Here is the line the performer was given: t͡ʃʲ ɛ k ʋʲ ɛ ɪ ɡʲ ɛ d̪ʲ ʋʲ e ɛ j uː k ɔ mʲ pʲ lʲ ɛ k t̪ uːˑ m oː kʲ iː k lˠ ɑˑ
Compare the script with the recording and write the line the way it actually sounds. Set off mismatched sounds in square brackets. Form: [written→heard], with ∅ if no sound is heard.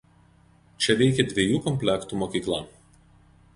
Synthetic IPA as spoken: t͡ʃʲ ɛ [k→∅] ʋʲ ɛ ɪ [ɡʲ→kʲ] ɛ d̪ʲ ʋʲ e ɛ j uː k ɔ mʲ pʲ lʲ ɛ k t̪ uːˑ m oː kʲ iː k lˠ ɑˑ

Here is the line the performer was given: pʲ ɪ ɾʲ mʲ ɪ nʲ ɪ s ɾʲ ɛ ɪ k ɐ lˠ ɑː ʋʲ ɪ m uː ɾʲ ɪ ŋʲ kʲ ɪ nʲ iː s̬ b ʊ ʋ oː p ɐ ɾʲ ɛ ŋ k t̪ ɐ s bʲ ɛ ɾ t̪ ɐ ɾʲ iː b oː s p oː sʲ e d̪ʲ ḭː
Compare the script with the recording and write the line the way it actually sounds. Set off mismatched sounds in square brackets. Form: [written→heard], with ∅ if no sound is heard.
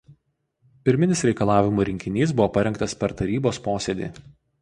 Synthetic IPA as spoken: pʲ ɪ ɾʲ mʲ ɪ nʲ ɪ s ɾʲ ɛ ɪ k ɐ lˠ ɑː ʋʲ ɪ m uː ɾʲ ɪ ŋʲ kʲ ɪ nʲ iː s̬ b ʊ ʋ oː p ɐ ɾʲ ɛ ŋ k t̪ ɐ s [bʲ→pʲ] ɛ ɾ t̪ ɐ ɾʲ iː b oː s p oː sʲ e d̪ʲ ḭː

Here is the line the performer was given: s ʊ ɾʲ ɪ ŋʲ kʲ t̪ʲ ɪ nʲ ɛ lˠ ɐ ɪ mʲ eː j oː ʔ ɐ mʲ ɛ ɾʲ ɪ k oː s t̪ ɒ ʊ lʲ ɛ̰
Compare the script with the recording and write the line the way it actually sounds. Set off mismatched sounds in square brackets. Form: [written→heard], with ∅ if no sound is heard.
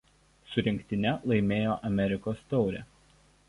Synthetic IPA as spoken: s ʊ ɾʲ ɪ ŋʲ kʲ t̪ʲ ɪ nʲ ɛ lˠ ɐ ɪ mʲ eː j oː ʔ ɐ mʲ ɛ ɾʲ ɪ k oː s t̪ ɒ ʊ [lʲ→ɾʲ] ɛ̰

